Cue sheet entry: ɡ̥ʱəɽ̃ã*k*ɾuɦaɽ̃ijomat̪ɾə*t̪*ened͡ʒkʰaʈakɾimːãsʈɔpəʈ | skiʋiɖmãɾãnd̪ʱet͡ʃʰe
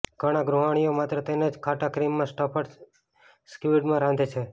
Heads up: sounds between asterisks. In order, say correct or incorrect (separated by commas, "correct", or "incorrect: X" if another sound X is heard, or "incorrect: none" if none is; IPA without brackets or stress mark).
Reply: incorrect: ɡ, correct